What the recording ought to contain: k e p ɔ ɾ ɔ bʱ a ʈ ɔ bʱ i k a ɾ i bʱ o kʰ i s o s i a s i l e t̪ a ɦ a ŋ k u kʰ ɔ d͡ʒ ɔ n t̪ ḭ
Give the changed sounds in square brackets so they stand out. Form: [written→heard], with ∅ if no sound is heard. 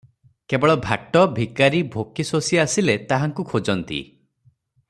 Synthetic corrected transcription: k e [p→b] ɔ [ɾ→ɭ] ɔ bʱ a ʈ ɔ bʱ i k a ɾ i bʱ o [kʰ→k] i s o s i a s i l e t̪ a ɦ a ŋ k u kʰ [ɔ→o] d͡ʒ ɔ n t̪ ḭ